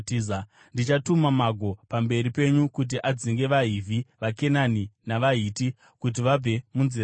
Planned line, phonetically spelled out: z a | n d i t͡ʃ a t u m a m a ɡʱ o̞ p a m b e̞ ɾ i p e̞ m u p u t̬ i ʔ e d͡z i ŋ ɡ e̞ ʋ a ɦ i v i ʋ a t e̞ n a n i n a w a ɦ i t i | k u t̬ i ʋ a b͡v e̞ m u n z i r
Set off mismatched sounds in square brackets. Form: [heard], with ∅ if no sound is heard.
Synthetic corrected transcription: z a | n d i t͡ʃ a t u m a m a ɡʱ o̞ p a m b e̞ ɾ i p e̞ [ɲ] u [k] u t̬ i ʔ [a] d͡z i ŋ ɡ e̞ ʋ a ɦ i v i ʋ a [k] e̞ n a n i n a [ʋ] a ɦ i t i | k u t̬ i ʋ a b͡v e̞ m u n z i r